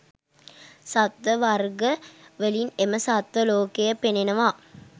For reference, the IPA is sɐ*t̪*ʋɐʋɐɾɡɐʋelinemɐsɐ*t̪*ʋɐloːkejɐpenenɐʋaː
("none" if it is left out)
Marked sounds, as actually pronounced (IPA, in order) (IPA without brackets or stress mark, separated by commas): t̪, t̪